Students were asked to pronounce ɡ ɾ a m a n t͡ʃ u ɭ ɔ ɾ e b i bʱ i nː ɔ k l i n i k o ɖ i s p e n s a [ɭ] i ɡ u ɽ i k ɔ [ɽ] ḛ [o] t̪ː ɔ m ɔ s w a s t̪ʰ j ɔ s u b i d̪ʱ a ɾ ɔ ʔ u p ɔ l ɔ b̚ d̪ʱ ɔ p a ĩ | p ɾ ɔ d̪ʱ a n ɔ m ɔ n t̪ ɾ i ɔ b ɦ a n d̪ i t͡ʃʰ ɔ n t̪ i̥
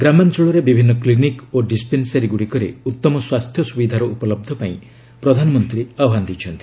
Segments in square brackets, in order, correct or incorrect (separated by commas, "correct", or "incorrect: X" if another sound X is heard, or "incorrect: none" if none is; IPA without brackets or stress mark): incorrect: ɾ, incorrect: ɾ, incorrect: u